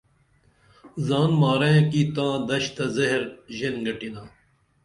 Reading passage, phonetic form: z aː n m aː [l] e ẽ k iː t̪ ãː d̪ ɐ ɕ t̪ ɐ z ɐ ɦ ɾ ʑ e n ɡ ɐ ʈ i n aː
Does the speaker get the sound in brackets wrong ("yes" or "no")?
yes